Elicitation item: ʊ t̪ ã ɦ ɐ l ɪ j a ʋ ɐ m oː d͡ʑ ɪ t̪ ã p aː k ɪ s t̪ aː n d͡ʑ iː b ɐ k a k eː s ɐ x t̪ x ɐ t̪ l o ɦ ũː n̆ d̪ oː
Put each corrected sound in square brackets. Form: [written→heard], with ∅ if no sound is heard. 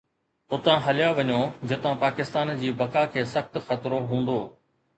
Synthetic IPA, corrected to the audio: ʊ t̪ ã ɦ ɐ l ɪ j a ʋ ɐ [m→ɲ] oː d͡ʑ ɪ t̪ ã p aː k ɪ s t̪ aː n d͡ʑ iː b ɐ k a [k→kʰ] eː s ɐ x t̪ x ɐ t̪ [l→ɾ] o ɦ ũː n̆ d̪ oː